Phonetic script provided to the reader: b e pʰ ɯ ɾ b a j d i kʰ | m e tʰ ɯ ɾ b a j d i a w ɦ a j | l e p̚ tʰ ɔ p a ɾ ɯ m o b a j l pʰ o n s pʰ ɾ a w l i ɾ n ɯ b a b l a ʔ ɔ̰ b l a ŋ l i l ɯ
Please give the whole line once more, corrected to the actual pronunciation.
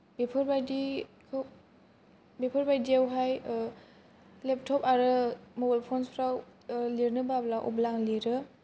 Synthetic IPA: b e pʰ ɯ ɾ b a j d i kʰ | b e pʰ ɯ ɾ b a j d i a w ɦ a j | l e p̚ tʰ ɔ p a ɾ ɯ m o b a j l pʰ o n s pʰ ɾ a w l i ɾ n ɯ b a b l a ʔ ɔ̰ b l a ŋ l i ɾ ɯ